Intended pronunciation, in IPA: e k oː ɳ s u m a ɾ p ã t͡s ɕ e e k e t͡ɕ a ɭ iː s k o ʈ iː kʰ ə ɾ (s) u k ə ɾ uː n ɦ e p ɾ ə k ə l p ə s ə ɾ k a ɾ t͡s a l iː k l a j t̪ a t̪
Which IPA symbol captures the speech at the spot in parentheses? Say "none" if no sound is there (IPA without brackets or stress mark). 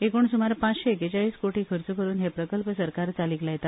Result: t͡s